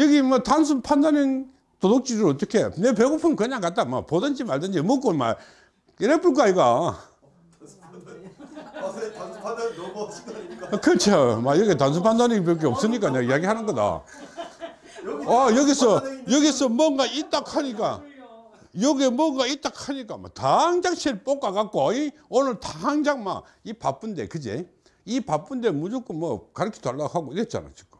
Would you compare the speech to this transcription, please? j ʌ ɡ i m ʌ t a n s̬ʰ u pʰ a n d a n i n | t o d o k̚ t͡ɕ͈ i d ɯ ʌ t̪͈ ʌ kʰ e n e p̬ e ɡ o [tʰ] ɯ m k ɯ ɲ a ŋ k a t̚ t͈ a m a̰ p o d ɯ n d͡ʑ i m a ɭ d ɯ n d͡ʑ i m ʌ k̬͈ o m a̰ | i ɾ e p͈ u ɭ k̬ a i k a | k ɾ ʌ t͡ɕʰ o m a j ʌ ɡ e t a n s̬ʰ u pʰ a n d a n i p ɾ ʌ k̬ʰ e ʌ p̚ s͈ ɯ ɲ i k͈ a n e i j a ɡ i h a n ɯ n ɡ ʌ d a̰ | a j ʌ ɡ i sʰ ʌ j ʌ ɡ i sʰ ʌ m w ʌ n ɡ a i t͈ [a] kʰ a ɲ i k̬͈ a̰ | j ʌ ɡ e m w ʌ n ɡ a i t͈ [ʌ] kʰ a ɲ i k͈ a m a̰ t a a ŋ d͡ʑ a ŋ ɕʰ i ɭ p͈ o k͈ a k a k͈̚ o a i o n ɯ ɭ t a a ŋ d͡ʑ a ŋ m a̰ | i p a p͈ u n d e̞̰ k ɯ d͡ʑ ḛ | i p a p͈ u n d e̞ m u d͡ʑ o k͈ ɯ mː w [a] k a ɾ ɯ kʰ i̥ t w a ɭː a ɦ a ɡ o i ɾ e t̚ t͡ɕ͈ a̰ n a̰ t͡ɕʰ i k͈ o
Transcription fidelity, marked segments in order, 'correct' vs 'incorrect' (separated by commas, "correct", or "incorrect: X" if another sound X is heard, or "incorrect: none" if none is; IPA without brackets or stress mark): incorrect: pʰ, correct, incorrect: a, incorrect: ʌ